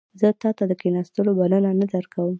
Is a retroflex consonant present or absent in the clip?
absent